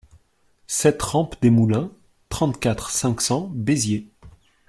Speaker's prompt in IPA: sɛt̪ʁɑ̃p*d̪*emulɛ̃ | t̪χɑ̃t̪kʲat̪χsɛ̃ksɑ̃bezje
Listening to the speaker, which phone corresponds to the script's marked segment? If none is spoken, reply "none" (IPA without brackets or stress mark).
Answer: d̪